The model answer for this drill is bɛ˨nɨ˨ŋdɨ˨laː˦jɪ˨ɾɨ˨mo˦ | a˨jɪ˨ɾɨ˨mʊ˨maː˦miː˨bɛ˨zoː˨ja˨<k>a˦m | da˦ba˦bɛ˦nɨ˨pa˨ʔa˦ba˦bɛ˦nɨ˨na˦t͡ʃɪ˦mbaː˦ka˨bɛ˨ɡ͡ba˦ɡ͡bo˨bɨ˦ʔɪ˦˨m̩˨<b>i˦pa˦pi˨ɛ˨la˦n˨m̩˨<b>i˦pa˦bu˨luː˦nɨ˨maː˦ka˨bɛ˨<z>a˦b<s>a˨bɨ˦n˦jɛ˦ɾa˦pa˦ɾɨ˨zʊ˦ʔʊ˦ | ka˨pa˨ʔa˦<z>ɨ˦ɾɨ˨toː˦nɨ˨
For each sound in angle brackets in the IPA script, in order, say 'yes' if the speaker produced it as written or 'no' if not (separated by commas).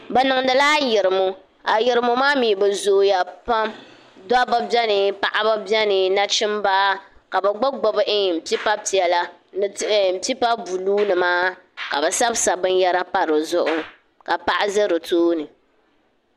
no, no, no, no, yes, yes